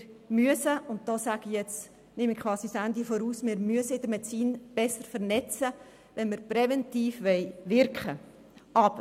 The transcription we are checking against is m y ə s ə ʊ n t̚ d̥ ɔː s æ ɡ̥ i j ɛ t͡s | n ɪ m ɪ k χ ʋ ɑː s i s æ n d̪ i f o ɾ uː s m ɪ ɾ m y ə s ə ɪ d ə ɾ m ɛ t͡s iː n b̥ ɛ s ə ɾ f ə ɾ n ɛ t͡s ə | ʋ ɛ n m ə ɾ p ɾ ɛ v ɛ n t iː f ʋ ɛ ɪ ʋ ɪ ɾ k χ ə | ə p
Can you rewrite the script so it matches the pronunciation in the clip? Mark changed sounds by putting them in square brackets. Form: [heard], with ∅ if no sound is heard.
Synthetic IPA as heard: m y ə s ə ʊ n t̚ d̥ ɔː s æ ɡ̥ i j ɛ t͡s | n ɪ m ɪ k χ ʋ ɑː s i s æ n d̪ i f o ɾ uː s m ɪ ɾ m y ə s ə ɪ d ə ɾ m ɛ t͡s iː n b̥ ɛ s ə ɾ f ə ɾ n ɛ t͡s ə | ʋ ɛ n m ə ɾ p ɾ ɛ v ɛ n t iː f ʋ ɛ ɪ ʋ ɪ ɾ k χ ə | [ɑ] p